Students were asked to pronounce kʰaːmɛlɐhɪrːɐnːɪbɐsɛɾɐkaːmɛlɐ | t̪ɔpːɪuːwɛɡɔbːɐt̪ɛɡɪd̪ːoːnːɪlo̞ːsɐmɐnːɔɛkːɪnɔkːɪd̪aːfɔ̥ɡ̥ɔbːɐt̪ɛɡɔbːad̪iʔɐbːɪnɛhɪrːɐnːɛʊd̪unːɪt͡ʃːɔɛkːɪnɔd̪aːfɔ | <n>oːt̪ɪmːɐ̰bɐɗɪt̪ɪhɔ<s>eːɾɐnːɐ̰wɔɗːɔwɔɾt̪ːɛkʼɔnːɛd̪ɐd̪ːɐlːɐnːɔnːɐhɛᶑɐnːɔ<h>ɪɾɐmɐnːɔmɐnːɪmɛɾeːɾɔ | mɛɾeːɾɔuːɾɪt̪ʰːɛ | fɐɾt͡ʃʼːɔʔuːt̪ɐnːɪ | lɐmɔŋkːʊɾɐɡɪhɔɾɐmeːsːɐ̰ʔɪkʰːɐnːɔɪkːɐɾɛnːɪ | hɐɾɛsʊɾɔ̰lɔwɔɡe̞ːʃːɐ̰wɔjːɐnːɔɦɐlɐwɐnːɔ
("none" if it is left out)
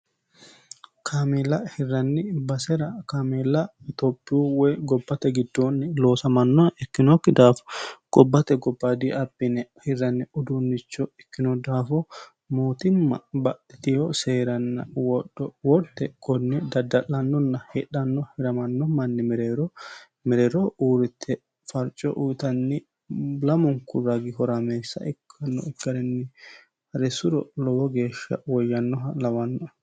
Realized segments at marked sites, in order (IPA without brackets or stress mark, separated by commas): m, s, h